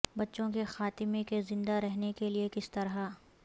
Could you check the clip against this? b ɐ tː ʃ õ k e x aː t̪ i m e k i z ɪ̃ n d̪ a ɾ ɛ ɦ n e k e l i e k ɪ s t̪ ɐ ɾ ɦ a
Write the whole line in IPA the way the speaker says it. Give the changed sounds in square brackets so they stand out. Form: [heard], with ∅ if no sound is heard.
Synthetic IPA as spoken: b ɐ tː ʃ õ k e x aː t̪ [ɪ] m e k [e] z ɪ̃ n d̪ a ɾ ɛ ɦ n e k e l i e k ɪ s t̪ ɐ ɾ ɦ a

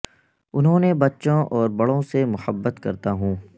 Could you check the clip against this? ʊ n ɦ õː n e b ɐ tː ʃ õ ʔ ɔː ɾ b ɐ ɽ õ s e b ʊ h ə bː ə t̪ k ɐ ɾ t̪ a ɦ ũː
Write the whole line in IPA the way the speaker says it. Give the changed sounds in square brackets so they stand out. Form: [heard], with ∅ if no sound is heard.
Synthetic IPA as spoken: ʊ n ɦ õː n e b ɐ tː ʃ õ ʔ ɔː ɾ b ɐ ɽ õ s e [m] ʊ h ə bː ə t̪ k ɐ ɾ t̪ a ɦ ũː

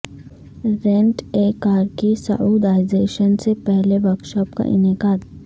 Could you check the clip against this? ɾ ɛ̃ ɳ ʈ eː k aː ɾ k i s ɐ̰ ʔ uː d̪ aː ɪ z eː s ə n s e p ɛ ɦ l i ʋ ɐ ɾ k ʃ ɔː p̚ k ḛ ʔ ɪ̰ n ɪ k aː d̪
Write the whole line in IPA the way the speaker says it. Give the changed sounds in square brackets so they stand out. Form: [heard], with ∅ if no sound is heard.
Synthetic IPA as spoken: ɾ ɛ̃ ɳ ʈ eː k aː ɾ k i s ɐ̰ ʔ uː d̪ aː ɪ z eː [ʃ] ə n s e p ɛ ɦ l [e] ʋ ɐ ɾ k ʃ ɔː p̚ k [a̰] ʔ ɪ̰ n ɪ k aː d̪

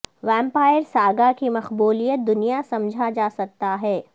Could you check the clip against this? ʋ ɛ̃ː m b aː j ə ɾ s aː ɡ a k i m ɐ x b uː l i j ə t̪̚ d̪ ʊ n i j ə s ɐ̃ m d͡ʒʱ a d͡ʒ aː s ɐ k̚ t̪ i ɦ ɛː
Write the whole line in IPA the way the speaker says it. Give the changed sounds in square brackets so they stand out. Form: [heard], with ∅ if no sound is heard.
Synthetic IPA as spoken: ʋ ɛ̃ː m [p] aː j ə ɾ s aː ɡ a k i m ɐ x b uː l i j ə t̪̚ d̪ ʊ n i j [a] s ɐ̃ m d͡ʒʱ a d͡ʒ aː s ɐ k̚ t̪ [a] ɦ ɛː

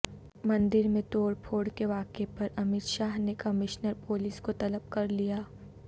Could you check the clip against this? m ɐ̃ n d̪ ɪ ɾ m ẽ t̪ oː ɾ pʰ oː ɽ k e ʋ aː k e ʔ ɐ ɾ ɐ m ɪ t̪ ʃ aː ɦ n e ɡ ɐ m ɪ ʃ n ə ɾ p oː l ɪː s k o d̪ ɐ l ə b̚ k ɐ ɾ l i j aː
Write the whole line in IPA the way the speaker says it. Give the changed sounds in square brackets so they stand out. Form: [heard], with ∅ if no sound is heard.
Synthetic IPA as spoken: m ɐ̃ n d̪ ɪ ɾ m ẽ t̪ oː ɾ pʰ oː ɽ k e ʋ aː k e [p] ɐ ɾ ɐ m ɪ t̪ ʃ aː ɦ n e [k] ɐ m ɪ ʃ n ə ɾ p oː l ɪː s k o [t̪] ɐ l ə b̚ k ɐ ɾ l i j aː

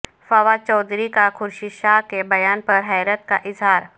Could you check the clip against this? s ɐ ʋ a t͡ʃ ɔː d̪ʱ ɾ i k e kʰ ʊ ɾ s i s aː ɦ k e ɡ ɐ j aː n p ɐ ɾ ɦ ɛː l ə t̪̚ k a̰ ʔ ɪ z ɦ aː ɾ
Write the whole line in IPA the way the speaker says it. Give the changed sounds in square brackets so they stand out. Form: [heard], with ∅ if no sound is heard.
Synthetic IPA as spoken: [f] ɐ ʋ a t͡ʃ ɔː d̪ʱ ɾ i k [a] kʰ ʊ ɾ [ʃ] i [ʃ] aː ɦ k e [b] ɐ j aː n p ɐ ɾ ɦ ɛː [ɾ] ə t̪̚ k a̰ ʔ ɪ z ɦ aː ɾ

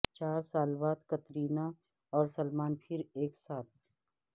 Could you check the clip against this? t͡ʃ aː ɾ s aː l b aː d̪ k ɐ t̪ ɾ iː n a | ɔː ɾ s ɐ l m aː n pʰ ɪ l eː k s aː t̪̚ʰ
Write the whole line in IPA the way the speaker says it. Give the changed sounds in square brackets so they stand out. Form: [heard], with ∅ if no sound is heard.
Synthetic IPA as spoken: t͡ʃ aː ɾ s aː l b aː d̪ k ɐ t̪ ɾ iː n a | ɔː ɾ s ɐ l m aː n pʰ ɪ [ɾ] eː k s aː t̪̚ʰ

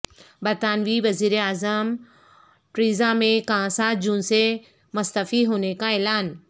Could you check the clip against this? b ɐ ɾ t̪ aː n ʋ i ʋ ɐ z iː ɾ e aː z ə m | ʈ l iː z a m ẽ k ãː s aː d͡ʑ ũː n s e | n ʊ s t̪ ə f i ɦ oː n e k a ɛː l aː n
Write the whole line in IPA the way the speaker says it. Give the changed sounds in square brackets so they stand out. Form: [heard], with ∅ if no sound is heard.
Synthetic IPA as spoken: b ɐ ɾ t̪ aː n ʋ i ʋ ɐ z iː ɾ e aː z ə m | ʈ [ɾ] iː z a m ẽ k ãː s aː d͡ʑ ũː n s e | [m] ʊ s t̪ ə f i ɦ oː n e k a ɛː l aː n

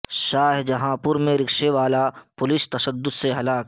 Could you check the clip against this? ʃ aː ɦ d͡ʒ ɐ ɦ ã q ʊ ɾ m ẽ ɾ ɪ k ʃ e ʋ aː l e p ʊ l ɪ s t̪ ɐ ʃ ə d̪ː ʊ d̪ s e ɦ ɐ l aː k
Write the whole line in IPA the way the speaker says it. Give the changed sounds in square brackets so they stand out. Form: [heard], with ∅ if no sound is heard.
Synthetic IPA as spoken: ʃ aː ɦ d͡ʒ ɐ ɦ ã [p] ʊ ɾ m ẽ ɾ ɪ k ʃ e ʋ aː l [a] p ʊ l ɪ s t̪ ɐ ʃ ə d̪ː ʊ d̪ s e ɦ ɐ l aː k

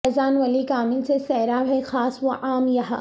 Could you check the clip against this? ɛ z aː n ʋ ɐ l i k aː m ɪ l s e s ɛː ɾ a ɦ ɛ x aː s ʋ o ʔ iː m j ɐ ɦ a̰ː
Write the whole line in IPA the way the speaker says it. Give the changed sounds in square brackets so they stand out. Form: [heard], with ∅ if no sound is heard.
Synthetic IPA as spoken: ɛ z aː n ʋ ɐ l i k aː m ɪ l s e s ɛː ɾ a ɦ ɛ x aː s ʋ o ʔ [aː] m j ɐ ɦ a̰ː

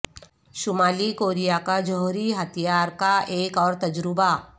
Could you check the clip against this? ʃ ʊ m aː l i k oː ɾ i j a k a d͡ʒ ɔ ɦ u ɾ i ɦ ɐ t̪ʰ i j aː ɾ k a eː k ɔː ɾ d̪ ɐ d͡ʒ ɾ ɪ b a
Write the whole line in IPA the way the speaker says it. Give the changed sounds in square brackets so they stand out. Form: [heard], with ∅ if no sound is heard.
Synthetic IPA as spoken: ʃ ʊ m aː l i k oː ɾ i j a k a d͡ʒ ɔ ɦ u ɾ i ɦ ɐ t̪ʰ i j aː ɾ k a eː k ɔː ɾ [t̪] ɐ d͡ʒ ɾ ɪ b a

